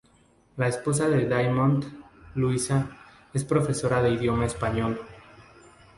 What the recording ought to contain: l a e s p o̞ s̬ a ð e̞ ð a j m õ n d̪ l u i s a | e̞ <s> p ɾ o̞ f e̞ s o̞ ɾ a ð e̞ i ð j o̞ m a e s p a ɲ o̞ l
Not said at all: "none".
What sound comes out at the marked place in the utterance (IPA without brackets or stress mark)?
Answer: s